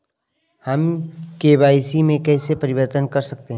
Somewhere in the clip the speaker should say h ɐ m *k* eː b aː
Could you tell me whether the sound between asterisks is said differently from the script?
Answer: no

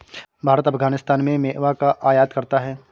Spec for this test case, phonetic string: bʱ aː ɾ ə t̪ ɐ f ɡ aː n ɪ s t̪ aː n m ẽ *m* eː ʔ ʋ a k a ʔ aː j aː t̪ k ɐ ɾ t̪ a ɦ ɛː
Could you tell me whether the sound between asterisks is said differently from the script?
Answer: no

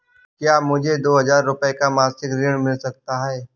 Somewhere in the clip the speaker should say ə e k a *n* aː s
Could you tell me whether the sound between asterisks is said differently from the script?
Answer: yes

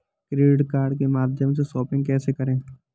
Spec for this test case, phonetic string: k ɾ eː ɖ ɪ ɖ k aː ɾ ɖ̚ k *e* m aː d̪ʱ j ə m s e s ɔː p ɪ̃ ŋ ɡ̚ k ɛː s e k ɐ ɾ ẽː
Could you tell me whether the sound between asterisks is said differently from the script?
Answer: no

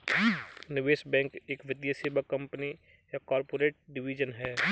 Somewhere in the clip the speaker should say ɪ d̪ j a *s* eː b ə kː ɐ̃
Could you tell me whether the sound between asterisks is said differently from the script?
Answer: no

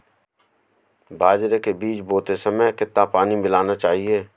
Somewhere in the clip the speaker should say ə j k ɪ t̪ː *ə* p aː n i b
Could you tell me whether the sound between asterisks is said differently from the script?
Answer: yes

